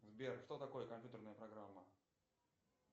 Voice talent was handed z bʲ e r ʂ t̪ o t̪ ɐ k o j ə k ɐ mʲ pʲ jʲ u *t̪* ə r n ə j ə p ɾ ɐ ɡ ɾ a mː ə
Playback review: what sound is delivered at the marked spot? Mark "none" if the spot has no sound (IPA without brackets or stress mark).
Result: t̪